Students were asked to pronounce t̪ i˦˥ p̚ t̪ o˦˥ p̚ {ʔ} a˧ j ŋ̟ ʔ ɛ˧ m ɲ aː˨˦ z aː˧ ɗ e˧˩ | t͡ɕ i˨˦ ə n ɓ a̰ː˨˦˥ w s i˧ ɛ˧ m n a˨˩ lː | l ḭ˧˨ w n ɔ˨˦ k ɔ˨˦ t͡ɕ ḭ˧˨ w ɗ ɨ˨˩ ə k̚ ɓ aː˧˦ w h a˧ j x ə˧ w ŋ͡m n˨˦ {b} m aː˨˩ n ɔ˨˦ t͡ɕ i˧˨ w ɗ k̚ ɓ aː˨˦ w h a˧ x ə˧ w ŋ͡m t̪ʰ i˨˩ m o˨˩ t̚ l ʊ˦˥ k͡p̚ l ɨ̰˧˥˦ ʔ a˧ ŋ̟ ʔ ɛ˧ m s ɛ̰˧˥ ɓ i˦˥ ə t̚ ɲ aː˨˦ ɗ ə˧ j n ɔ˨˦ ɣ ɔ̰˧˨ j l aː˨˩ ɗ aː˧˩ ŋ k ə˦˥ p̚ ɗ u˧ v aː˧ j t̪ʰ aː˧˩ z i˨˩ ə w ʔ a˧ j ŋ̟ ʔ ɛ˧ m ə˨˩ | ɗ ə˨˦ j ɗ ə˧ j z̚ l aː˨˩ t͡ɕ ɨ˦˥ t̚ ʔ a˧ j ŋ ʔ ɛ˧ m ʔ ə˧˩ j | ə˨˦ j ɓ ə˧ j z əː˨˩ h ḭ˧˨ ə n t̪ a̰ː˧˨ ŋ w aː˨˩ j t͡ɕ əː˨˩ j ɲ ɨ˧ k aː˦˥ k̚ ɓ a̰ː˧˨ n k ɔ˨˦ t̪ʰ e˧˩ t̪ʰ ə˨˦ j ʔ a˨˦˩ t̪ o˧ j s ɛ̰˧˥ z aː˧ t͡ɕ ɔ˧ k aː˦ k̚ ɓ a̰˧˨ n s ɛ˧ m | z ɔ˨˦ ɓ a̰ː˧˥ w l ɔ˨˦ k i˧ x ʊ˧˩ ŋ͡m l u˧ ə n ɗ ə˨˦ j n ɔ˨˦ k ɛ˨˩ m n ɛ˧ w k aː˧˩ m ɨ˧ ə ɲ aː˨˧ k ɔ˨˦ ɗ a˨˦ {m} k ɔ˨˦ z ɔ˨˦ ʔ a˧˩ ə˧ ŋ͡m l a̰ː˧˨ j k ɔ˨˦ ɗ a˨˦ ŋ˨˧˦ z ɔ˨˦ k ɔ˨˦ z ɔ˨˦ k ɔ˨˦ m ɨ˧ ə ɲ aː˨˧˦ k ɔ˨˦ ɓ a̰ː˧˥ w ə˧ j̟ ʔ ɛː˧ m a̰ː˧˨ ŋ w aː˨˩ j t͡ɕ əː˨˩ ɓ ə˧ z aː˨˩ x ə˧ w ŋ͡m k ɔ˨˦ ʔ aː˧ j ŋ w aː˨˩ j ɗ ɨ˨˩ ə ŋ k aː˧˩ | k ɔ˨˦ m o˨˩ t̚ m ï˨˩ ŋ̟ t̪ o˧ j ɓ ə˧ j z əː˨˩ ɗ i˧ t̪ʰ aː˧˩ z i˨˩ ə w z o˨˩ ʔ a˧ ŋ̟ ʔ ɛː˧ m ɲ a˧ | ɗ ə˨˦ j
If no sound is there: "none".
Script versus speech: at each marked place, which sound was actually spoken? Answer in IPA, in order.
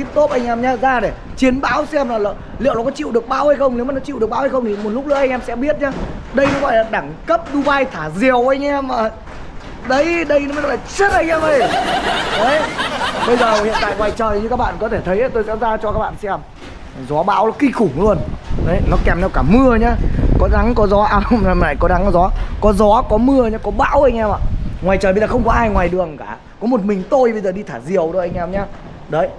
ʔ, w, ŋ

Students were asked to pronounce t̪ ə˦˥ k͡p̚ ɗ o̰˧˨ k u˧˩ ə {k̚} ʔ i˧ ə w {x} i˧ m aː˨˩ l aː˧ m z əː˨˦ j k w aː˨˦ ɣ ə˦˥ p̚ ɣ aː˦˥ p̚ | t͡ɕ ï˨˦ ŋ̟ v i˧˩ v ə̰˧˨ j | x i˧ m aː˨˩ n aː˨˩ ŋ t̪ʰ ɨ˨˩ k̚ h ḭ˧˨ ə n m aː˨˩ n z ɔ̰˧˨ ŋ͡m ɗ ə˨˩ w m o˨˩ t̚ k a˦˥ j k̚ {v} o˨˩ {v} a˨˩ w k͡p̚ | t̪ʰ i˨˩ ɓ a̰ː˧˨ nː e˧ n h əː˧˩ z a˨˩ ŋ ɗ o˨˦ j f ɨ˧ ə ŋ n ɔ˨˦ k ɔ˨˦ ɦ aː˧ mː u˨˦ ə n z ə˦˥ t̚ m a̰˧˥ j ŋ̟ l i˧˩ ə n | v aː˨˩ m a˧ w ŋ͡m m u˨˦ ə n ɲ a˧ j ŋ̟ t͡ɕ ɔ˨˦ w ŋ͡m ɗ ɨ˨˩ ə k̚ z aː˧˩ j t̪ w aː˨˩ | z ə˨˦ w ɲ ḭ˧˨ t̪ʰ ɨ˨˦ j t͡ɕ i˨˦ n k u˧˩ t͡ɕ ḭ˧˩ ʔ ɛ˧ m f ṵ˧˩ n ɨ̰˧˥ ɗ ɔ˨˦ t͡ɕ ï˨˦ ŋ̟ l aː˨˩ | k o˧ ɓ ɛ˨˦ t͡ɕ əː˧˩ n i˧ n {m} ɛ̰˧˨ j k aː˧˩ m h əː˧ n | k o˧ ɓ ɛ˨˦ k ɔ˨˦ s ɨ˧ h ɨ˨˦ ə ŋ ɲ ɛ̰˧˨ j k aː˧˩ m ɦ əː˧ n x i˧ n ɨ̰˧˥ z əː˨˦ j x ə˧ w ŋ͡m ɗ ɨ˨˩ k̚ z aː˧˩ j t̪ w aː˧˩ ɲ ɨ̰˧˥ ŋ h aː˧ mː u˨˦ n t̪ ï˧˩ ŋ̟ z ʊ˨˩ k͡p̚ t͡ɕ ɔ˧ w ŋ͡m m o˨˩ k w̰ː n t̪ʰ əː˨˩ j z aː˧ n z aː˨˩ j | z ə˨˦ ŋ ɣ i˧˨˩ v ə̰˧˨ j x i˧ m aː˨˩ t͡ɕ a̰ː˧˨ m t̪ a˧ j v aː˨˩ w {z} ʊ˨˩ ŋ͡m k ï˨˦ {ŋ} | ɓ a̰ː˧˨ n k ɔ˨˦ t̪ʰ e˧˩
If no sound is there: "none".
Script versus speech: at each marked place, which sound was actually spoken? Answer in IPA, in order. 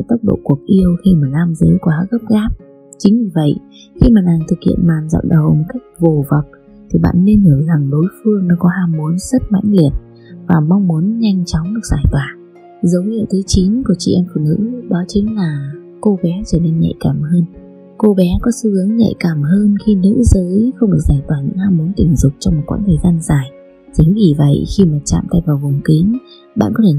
k̚, x, v, v, ɲ, v, ŋ

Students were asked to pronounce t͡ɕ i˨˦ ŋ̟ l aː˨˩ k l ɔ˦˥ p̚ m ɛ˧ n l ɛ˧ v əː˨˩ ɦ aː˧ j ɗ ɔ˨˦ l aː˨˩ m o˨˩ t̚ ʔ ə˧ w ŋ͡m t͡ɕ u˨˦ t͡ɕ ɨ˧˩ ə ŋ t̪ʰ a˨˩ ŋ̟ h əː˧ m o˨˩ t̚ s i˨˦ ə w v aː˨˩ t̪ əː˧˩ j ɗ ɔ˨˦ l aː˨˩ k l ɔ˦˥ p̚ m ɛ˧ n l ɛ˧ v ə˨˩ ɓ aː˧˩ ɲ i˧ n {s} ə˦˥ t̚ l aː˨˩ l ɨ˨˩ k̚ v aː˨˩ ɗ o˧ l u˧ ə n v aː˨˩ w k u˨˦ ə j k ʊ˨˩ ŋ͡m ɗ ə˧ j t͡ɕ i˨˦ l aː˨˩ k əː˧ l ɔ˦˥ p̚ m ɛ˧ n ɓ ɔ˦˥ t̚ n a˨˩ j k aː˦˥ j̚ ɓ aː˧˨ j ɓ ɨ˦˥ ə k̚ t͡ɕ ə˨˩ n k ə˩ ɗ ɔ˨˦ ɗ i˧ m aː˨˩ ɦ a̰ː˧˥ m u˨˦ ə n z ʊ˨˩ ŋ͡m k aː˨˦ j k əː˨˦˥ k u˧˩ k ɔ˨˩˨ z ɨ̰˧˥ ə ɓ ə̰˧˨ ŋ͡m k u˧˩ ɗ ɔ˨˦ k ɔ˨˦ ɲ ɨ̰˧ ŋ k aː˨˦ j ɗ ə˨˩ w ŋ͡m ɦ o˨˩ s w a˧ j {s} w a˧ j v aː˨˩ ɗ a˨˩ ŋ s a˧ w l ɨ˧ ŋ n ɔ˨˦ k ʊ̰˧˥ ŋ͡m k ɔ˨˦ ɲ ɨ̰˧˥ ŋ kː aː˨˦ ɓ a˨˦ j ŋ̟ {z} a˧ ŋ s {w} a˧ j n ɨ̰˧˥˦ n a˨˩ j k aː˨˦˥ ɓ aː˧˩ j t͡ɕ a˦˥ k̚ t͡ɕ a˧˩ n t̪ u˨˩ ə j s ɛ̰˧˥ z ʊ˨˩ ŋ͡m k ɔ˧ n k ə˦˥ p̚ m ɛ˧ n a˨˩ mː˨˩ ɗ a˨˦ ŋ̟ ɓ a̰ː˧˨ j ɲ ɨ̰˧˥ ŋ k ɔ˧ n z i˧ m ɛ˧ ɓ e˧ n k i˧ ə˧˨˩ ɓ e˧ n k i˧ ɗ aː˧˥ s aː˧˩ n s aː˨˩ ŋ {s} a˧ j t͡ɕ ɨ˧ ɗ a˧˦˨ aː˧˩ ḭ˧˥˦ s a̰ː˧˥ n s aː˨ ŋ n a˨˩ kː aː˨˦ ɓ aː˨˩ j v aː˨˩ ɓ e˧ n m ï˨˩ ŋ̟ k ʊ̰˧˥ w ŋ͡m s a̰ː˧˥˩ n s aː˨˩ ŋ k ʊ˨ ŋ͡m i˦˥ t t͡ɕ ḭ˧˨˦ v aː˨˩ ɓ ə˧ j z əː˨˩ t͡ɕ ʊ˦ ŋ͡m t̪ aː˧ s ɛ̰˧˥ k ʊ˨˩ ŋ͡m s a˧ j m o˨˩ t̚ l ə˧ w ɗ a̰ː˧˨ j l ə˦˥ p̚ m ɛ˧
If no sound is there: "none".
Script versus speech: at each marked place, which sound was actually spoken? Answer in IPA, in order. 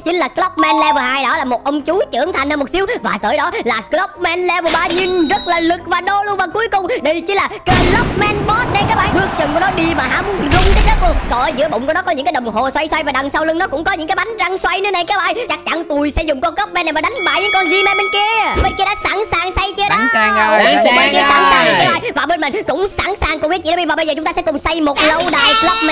z, s, z, w, s

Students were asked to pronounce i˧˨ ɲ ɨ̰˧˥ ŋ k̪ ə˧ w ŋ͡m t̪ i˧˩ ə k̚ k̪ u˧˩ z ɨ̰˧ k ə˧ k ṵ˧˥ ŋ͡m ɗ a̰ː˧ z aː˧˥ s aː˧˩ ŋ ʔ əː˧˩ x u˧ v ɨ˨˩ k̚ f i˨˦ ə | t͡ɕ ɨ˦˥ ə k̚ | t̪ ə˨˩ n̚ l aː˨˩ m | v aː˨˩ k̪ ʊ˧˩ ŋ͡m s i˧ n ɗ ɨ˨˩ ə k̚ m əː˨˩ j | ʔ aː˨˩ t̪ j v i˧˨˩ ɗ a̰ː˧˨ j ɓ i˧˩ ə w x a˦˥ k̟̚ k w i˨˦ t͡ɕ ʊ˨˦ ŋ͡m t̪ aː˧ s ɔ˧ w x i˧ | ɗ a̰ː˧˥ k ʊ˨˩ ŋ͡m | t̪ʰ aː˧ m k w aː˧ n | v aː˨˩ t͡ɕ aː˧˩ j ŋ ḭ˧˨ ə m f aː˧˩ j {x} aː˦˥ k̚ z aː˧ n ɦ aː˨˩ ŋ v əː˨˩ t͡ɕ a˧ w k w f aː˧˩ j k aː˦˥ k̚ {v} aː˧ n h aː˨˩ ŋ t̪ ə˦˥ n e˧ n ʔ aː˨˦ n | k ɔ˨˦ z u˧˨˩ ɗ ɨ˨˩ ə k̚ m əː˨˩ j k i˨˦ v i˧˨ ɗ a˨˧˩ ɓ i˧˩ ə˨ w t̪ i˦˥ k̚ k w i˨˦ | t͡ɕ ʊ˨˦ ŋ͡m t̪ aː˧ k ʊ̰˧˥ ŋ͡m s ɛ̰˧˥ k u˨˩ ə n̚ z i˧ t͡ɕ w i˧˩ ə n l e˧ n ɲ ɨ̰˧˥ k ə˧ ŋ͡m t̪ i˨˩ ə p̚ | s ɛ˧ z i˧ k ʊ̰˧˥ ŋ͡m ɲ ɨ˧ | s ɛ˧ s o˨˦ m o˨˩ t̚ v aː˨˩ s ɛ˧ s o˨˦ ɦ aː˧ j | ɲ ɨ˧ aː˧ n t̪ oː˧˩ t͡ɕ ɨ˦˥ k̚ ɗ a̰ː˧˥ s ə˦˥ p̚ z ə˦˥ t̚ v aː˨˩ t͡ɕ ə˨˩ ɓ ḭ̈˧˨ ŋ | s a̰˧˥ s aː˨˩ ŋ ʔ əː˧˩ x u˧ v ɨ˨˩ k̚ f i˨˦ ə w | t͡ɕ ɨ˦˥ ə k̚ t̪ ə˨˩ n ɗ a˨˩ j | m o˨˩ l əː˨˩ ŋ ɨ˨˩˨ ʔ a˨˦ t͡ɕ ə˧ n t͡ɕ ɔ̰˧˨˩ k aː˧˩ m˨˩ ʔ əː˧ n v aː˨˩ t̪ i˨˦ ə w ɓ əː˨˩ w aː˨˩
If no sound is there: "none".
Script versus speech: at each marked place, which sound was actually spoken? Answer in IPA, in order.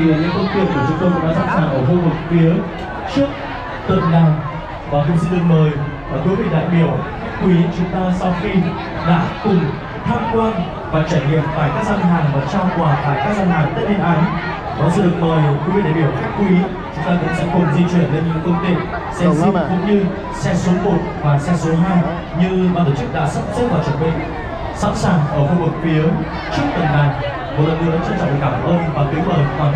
k, z

